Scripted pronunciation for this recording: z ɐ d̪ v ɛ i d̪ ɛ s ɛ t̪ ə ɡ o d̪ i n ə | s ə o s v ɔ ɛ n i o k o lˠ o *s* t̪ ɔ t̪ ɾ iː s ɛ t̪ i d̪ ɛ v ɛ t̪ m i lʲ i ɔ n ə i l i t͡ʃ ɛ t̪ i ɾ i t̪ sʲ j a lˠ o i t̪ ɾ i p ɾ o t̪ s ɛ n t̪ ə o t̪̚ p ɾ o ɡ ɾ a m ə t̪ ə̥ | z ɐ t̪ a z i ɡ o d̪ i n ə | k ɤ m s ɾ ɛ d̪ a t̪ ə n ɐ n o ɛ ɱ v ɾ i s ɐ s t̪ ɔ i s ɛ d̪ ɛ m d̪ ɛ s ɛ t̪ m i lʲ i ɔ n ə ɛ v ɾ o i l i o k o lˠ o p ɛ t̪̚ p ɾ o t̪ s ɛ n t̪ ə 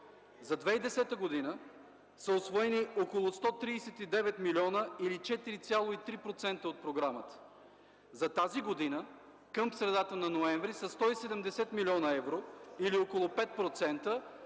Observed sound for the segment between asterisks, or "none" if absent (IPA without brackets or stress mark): s